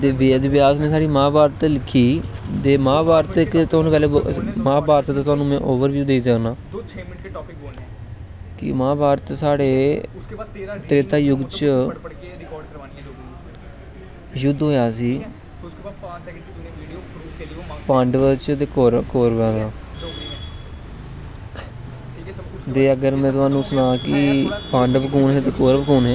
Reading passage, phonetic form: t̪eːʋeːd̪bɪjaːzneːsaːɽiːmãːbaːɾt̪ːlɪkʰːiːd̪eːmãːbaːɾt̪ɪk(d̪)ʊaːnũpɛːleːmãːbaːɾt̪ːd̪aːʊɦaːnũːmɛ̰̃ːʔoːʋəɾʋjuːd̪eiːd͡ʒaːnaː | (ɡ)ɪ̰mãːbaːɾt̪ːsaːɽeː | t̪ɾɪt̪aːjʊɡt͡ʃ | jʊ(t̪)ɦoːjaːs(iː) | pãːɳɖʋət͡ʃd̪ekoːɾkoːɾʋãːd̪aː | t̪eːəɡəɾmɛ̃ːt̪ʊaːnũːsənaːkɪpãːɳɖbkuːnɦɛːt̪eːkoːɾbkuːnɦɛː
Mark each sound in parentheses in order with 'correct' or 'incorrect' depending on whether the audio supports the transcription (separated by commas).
incorrect, incorrect, incorrect, correct